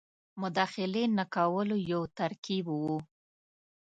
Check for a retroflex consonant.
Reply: absent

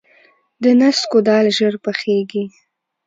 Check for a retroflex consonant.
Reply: absent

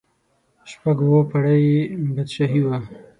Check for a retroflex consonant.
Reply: present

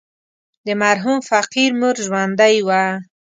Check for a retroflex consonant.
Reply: absent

